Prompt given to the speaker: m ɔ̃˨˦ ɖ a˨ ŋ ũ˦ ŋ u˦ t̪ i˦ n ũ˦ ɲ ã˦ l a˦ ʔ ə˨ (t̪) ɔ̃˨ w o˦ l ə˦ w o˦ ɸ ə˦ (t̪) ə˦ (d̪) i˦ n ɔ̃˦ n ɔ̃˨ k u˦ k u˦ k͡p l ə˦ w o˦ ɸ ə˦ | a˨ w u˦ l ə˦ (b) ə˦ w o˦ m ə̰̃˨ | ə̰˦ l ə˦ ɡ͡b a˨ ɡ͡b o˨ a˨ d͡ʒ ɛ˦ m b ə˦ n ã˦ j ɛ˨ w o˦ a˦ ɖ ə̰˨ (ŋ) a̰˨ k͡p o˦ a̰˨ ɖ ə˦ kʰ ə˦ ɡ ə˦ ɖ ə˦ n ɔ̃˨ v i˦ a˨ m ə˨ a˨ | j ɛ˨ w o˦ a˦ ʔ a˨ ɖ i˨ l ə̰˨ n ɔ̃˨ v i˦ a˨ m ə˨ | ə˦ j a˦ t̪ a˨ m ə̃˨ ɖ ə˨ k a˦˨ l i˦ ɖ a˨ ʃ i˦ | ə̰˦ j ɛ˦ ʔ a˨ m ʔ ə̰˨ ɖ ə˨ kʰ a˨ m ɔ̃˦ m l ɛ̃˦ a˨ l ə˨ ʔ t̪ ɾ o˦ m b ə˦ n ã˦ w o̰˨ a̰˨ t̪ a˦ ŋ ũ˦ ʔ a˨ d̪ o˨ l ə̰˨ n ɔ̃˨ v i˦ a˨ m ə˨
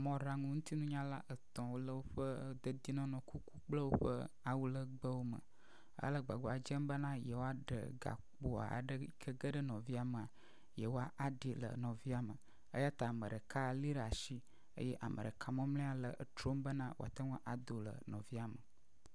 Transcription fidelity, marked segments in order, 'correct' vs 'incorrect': correct, incorrect: d̪, correct, incorrect: ɡ͡b, incorrect: ɡ

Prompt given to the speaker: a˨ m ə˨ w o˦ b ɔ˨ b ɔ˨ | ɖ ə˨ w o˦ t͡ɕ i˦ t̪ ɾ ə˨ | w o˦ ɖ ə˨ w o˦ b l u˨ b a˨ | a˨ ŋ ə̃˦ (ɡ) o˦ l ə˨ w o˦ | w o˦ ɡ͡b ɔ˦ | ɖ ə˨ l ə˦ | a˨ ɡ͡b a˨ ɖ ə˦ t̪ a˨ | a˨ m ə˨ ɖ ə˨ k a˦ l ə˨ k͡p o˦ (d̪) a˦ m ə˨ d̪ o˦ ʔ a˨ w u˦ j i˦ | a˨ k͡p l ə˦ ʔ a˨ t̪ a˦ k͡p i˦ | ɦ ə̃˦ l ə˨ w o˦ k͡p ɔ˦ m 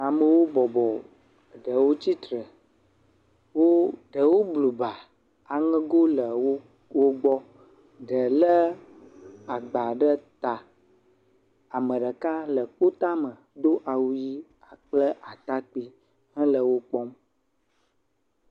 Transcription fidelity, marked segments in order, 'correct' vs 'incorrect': correct, incorrect: t̪

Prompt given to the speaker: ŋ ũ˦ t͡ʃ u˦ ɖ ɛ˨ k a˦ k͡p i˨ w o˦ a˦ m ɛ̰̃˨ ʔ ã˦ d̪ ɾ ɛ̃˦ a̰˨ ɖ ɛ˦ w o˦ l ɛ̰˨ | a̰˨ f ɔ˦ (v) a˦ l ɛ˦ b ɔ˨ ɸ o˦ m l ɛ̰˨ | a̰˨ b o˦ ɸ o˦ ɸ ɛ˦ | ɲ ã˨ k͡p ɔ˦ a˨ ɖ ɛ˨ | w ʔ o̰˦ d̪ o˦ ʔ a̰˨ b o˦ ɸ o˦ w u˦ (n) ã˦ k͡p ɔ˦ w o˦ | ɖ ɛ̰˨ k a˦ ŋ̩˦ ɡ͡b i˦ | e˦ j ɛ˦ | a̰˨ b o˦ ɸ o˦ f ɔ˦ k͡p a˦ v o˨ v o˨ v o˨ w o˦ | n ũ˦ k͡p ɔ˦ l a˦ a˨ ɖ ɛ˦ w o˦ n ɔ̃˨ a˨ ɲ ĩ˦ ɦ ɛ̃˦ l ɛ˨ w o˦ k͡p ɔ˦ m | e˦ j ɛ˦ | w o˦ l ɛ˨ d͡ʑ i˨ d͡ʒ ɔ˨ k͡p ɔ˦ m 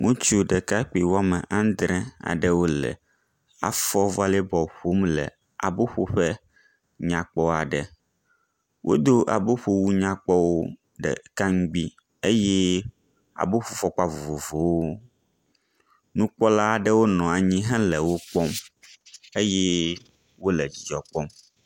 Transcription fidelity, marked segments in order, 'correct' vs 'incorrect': correct, incorrect: ɲ

